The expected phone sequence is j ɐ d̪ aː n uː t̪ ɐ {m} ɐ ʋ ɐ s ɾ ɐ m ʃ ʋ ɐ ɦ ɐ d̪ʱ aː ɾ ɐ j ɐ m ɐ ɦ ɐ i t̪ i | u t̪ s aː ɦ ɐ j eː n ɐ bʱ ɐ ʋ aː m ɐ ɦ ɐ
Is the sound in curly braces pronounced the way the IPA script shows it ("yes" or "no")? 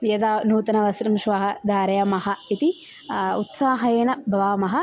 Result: no